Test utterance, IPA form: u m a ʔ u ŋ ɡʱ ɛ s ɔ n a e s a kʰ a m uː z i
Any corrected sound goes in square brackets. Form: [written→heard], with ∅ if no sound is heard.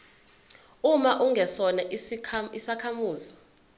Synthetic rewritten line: u m a ʔ u ŋ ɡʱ ɛ s ɔ n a [e→i] s a kʰ a m uː z i